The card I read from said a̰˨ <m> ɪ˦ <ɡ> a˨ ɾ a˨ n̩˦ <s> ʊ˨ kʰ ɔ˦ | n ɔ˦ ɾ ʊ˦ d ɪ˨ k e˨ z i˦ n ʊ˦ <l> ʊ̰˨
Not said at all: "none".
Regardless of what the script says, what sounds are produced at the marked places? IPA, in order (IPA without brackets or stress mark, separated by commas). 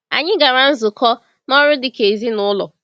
ɲ, ɡ, z, l